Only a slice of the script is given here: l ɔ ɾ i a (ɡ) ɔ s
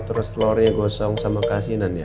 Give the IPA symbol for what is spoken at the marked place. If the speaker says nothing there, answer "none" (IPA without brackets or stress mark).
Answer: ɡ